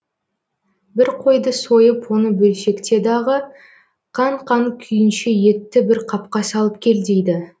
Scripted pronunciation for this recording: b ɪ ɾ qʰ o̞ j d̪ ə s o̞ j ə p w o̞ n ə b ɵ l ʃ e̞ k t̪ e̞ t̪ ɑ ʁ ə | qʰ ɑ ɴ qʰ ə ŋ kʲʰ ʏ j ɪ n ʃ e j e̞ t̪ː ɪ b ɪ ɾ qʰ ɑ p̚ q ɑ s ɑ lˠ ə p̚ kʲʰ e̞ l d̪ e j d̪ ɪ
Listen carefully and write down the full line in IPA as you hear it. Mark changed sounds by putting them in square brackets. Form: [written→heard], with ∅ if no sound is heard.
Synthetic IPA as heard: b ɪ ɾ qʰ o̞ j d̪ ə s o̞ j ə p w o̞ n ə b ɵ l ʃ e̞ k t̪ e̞ [t̪→d̪] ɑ ʁ ə | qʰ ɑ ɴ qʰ [ə→ɑ] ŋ kʲʰ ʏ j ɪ n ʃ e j e̞ t̪ː ɪ b ɪ ɾ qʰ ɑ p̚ q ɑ s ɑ lˠ ə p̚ kʲʰ e̞ l d̪ e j d̪ ɪ

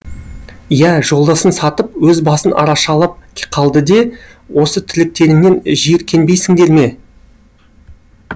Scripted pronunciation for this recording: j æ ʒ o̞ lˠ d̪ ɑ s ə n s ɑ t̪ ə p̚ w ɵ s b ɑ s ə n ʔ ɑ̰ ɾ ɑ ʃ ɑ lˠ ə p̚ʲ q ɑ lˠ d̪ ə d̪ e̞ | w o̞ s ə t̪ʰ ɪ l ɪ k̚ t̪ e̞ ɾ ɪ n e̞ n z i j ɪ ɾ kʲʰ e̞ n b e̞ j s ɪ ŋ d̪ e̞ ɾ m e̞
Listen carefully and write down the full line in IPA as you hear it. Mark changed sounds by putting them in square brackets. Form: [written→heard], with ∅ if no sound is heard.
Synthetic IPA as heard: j æ ʒ o̞ lˠ d̪ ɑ s ə n s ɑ t̪ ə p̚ w ɵ [s→z] b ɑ s ə n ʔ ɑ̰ ɾ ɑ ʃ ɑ lˠ ə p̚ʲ [q→qʰ] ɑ lˠ d̪ ə d̪ e̞ | w o̞ s ə t̪ʰ ɪ l ɪ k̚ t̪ e̞ ɾ ɪ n e̞ n [z→ʒ] i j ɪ ɾ kʲʰ e̞ n b e̞ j s ɪ ŋ d̪ e̞ ɾ m e̞

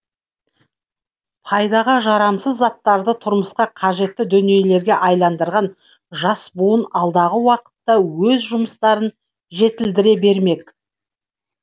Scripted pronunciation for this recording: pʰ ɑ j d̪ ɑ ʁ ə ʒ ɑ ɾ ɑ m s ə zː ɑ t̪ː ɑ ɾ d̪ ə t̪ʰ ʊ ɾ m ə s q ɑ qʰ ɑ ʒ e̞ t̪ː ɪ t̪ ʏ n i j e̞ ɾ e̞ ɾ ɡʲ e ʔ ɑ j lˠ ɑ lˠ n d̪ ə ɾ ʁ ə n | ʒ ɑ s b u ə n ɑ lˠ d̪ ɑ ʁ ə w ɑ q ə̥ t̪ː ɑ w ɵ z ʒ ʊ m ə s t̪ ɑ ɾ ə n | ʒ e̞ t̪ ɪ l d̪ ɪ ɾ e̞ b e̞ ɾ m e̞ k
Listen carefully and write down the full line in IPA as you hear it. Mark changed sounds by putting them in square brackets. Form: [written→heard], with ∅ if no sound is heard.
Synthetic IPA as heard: pʰ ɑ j d̪ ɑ ʁ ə ʒ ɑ ɾ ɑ m s ə zː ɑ t̪ː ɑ ɾ d̪ ə t̪ʰ ʊ ɾ m ə s q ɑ qʰ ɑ ʒ e̞ t̪ː ɪ [t̪→d̪] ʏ n i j e̞ [ɾ→l] e̞ ɾ ɡʲ e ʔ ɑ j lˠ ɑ [lˠ→∅] n d̪ ə ɾ ʁ [ə→ɑ] n | ʒ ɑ s b u ə n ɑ lˠ d̪ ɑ ʁ ə w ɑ q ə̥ t̪ː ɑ w ɵ z ʒ ʊ m ə s t̪ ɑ ɾ ə n | ʒ e̞ t̪ ɪ l d̪ ɪ ɾ e̞ b e̞ ɾ m e̞ k

